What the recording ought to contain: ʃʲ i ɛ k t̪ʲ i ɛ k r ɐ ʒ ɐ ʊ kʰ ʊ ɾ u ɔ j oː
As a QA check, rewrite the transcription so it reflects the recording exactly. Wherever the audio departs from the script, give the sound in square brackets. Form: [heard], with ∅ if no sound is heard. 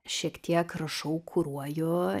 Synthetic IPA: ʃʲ i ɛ k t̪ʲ i ɛ k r ɐ [ʃ] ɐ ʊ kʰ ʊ ɾ u ɔ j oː